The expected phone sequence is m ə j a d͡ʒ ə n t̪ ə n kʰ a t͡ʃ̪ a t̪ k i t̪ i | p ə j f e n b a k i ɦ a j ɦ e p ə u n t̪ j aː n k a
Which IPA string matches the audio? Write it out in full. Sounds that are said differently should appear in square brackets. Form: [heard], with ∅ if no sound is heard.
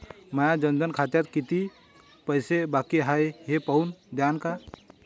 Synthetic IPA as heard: m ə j a d͡ʒ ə n [d̪] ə n kʰ a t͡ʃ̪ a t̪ k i t̪ i | p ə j [s] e [∅] b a k i ɦ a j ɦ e p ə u n [d̪] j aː n k a